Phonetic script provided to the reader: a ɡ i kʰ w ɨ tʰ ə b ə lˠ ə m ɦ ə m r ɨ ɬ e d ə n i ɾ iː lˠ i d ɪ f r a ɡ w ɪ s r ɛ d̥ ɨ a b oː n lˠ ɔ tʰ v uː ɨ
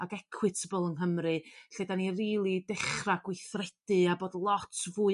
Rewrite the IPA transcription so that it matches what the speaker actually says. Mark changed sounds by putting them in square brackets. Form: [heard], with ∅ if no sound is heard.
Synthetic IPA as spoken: a ɡ [ɛ] kʰ w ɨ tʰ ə b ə lˠ ə [n] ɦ ə m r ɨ ɬ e d [a] n i [r] iː lˠ i d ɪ [χ] r a ɡ w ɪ [θ] r ɛ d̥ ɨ a b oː [d] lˠ ɔ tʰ v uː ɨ